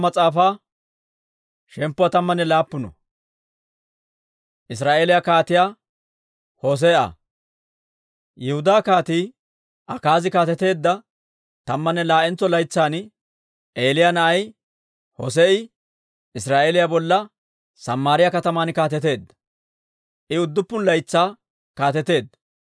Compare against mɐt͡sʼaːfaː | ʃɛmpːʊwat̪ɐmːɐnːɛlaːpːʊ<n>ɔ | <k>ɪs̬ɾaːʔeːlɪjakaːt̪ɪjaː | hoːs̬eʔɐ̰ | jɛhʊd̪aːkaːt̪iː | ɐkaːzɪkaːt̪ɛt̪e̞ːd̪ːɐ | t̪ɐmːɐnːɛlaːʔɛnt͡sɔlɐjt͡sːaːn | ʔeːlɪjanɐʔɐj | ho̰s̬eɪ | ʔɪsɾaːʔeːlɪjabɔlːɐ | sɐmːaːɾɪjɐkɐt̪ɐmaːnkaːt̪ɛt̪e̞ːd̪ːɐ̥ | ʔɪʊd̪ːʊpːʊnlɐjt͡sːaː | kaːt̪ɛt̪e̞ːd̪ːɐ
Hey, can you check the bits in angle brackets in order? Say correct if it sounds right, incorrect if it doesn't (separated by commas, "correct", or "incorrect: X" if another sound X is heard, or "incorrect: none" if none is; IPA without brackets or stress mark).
correct, incorrect: ʔ